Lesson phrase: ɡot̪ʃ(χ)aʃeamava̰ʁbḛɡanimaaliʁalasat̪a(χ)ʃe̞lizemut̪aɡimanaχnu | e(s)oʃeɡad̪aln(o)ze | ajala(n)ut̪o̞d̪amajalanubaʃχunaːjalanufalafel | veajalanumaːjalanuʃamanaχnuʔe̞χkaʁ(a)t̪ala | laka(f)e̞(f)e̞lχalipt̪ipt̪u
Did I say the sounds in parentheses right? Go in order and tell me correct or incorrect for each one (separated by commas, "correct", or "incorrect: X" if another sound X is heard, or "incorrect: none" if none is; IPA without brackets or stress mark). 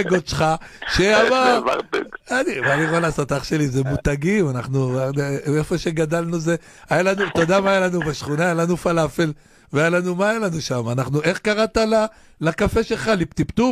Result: correct, correct, incorrect: f, incorrect: u, correct, correct, correct, incorrect: ʃ